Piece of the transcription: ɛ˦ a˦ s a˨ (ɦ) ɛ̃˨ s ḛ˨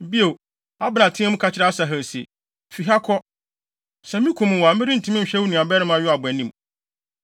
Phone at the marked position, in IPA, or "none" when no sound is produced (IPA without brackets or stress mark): ɦ